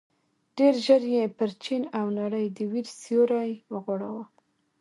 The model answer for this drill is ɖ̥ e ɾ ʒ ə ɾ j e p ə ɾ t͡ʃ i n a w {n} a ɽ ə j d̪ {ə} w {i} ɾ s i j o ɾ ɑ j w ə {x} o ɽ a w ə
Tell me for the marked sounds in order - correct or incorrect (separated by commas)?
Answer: correct, correct, correct, incorrect